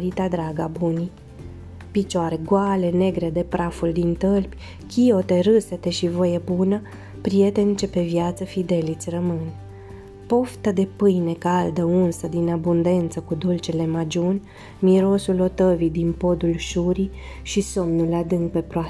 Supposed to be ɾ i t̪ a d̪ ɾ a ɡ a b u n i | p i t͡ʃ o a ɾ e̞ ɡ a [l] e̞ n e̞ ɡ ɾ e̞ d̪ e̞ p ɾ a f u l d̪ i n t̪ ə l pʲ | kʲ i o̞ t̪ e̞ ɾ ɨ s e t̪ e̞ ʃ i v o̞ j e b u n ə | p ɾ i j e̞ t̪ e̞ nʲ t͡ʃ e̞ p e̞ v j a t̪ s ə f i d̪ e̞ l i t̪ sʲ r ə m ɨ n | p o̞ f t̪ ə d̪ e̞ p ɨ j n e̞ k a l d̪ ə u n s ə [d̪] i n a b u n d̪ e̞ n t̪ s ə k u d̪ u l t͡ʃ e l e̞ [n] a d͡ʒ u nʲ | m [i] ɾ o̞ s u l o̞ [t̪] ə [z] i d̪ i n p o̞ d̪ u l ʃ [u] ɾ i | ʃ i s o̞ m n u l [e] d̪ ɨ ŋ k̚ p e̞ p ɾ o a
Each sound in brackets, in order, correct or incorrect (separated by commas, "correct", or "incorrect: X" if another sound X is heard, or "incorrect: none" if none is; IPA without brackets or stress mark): correct, correct, incorrect: m, correct, correct, incorrect: v, correct, incorrect: a